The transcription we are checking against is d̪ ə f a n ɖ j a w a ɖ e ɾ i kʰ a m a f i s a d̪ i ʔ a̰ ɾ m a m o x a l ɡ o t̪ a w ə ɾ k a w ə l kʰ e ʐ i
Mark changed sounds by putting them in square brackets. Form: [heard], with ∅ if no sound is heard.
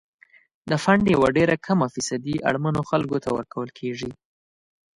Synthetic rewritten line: d̪ ə f a [ɳ] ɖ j a w a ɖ e ɾ [a] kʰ a m a f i s a d̪ i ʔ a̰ [ɽ] m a [n] o x a l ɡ o t̪ a w ə ɾ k a w ə l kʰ e ʐ i